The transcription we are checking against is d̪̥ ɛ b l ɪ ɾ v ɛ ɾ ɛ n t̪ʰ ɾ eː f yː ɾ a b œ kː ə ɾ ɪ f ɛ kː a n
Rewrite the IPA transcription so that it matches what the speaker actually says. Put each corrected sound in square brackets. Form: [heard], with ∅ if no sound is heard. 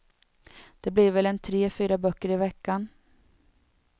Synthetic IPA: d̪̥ ɛ b l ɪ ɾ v ɛ [l] ɛ n t̪ʰ ɾ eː f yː ɾ a b œ kː ə ɾ ɪ [v] ɛ kː a n